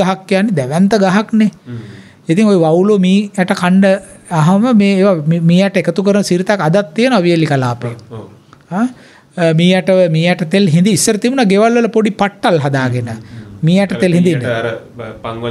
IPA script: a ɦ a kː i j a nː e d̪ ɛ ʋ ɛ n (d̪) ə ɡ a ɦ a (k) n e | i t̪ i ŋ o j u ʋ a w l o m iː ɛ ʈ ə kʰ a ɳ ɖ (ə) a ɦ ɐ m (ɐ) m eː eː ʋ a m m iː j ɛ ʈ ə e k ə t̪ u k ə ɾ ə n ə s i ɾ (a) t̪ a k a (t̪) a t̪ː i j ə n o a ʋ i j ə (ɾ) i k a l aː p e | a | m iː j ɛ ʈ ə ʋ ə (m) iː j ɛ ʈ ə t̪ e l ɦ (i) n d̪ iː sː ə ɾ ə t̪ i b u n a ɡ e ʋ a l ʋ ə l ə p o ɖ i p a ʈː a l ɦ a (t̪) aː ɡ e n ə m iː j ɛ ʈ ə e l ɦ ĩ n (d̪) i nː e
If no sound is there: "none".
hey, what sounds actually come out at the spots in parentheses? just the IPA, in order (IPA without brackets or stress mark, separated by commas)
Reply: t̪, k, ə, ə, i, d̪, l, m, i, d̪, d̪